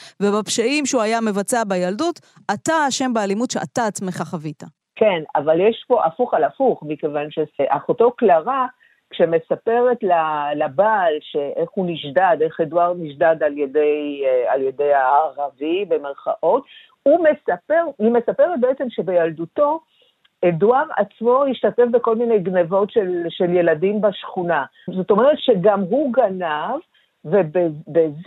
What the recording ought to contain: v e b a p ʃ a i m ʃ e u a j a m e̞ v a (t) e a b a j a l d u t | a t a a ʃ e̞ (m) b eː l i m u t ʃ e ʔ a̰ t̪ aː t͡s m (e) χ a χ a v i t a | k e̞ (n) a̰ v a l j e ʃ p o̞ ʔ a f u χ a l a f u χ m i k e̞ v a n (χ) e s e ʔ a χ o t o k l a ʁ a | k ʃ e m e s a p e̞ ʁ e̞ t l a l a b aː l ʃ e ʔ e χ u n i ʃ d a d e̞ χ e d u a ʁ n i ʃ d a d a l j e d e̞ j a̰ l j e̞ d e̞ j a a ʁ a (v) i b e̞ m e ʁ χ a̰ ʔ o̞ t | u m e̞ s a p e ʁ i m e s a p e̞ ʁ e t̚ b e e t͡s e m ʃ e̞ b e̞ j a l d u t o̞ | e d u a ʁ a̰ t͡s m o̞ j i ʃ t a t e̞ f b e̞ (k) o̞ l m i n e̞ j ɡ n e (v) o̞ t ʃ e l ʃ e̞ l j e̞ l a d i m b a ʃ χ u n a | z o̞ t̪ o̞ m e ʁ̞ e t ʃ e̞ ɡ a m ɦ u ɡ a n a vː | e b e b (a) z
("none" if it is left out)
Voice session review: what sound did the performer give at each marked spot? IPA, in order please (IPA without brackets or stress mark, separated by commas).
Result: t͡s, m, e, n, ʃ, v, k, v, e